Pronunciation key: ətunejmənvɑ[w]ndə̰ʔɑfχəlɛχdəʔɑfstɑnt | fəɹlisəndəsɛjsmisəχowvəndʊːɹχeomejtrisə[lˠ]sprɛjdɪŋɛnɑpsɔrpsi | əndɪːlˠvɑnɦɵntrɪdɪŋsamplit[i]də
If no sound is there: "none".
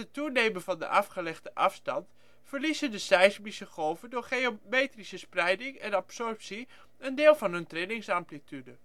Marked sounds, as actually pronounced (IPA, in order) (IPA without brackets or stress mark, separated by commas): none, none, y